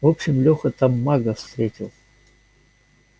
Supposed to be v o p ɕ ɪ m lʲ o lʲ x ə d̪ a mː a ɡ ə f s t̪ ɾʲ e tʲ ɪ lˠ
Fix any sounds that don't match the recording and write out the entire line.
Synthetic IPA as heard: v o p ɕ ɪ m lʲ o x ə t̪ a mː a ɡ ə f s t̪ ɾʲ e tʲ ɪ lˠ